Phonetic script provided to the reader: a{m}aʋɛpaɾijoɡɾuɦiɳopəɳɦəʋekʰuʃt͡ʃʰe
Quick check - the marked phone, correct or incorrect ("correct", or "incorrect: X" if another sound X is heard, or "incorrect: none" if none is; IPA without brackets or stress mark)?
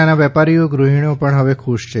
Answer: incorrect: n